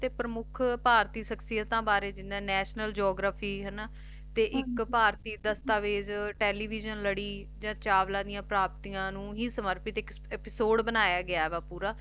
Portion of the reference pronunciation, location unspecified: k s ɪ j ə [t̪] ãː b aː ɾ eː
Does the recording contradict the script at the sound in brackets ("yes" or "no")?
no